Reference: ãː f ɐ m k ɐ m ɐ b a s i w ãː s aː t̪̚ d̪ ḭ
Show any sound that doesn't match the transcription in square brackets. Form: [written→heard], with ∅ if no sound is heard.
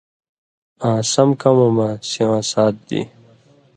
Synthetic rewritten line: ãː [f→s] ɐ m k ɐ m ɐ [b→m] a s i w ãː s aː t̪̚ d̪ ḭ